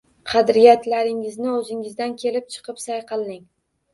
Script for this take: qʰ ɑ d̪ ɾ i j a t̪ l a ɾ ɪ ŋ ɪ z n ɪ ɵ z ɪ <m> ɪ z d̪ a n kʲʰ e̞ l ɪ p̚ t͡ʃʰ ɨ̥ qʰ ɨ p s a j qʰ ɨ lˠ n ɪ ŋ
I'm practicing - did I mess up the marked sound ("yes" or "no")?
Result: yes